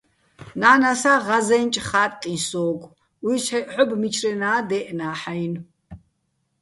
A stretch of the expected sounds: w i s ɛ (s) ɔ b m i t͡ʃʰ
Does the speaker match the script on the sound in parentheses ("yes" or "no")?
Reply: no